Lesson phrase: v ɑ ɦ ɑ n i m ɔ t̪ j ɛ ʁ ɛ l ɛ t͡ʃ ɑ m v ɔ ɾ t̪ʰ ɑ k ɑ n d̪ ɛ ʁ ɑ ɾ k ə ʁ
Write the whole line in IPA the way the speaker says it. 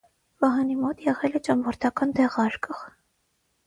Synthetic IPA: v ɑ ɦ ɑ n i m ɔ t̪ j ɛ ʁ ɛ l ɛ t͡ʃ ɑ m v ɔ ɾ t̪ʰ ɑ k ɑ n d̪ ɛ ʁ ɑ ɾ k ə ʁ